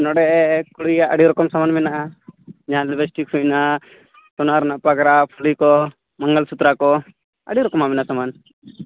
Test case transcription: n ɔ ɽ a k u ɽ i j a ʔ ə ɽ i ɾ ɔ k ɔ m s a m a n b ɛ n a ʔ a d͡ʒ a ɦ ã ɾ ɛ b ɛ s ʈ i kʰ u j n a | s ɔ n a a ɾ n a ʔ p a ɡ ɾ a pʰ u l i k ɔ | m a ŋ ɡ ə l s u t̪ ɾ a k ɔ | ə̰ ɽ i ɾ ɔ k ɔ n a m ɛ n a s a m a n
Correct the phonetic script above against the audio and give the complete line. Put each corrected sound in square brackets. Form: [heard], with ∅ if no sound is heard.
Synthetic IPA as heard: n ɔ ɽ [ɛ] k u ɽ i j a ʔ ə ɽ i ɾ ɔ k ɔ m s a m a n [m] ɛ n a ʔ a d͡ʒ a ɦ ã [l] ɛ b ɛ s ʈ i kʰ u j n a | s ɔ n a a ɾ n a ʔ p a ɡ ɾ a pʰ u l i k ɔ | m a ŋ ɡ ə l s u t̪ ɾ a k ɔ | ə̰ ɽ i ɾ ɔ k ɔ [m] a m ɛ n a s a m a n

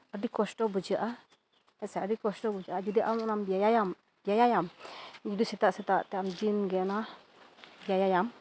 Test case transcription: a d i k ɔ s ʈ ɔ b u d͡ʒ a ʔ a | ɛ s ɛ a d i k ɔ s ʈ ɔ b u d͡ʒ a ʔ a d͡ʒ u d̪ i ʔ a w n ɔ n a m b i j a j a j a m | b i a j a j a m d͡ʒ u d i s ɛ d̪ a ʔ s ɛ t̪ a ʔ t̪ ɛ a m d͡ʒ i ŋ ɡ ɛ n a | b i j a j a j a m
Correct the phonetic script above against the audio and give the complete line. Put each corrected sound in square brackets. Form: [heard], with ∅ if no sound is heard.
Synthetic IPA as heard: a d i k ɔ s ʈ ɔ b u d͡ʒ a ʔ a | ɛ s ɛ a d i k ɔ s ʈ ɔ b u d͡ʒ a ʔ a d͡ʒ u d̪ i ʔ a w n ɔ n a m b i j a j a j a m | b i a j a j a m d͡ʒ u d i s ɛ [t̪] a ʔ s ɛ t̪ a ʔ t̪ ɛ a m d͡ʒ i [n] ɡ ɛ n a | b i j a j a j a m

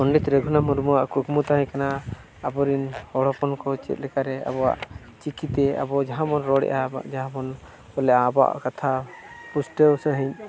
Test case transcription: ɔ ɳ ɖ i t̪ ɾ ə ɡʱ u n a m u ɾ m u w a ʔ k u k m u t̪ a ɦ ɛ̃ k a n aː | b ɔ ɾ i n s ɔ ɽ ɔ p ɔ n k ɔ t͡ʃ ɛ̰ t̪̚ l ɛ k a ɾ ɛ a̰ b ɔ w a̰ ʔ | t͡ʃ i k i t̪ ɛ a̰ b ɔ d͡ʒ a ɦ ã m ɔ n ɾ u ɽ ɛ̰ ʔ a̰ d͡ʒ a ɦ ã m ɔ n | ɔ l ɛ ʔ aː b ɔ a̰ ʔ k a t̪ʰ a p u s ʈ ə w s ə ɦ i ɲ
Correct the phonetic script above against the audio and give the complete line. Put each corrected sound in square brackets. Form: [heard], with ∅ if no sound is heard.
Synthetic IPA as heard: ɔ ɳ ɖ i t̪ ɾ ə ɡʱ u n a m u ɾ m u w a ʔ k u k m u t̪ a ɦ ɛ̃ k a n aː | b ɔ ɾ i n [h] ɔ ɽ ɔ p ɔ n k ɔ t͡ʃ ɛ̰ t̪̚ l ɛ k a ɾ ɛ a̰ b ɔ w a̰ ʔ | t͡ʃ i k i t̪ ɛ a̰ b ɔ d͡ʒ a ɦ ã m ɔ n ɾ [ɔ] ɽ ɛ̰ ʔ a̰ d͡ʒ a ɦ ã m ɔ n | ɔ l ɛ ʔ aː b ɔ a̰ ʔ k a t̪ʰ a p u s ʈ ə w s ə ɦ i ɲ

